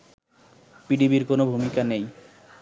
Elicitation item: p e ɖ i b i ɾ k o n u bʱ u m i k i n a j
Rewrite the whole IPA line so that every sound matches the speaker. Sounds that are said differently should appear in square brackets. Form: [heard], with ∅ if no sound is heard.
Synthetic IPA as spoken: p [i] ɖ i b i ɾ k o n [o] bʱ u m i k [a] n [e] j